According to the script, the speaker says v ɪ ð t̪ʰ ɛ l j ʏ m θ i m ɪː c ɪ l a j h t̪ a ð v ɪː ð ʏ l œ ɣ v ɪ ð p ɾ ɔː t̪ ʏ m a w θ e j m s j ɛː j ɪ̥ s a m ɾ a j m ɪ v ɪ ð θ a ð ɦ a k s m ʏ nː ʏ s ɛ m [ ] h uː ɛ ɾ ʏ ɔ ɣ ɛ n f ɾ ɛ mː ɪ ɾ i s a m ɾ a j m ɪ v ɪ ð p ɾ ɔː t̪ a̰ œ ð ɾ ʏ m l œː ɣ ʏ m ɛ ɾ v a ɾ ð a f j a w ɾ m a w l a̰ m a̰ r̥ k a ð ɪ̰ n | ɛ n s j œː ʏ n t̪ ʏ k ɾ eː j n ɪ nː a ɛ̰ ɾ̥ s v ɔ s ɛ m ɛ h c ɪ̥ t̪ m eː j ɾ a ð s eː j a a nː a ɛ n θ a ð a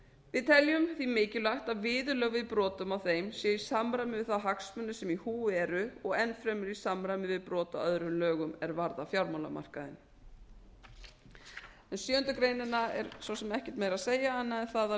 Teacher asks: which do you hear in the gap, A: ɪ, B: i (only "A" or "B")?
B